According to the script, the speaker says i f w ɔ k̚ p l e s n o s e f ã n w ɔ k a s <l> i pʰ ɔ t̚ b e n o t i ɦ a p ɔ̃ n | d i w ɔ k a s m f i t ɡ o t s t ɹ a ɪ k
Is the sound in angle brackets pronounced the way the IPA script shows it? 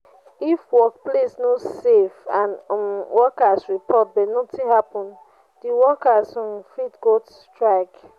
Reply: no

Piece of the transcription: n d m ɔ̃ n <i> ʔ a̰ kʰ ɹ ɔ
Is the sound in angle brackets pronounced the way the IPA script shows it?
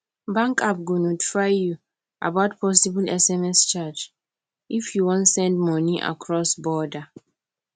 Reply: yes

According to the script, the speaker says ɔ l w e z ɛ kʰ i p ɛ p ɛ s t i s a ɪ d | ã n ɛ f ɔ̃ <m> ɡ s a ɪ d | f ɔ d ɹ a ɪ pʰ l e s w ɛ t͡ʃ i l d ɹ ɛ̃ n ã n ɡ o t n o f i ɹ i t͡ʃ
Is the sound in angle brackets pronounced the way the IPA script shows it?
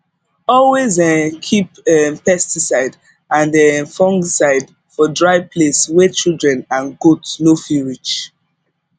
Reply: no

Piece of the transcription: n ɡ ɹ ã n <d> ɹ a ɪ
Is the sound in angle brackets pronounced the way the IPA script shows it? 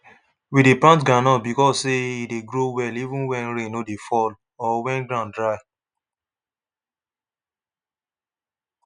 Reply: yes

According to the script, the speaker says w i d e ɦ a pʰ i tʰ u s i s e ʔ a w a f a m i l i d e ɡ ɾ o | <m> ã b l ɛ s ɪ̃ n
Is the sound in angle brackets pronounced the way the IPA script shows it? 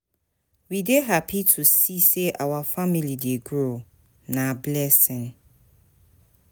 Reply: no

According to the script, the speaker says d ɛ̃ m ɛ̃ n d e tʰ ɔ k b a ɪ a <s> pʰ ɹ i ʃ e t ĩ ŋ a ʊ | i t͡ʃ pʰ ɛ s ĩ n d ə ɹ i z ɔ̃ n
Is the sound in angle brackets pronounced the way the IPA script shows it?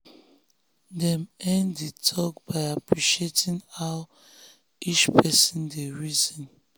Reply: no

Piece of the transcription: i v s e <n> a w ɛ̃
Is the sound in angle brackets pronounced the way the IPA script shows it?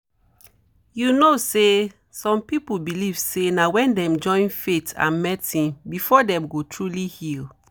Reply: yes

